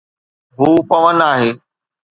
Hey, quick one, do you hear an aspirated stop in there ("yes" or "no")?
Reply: no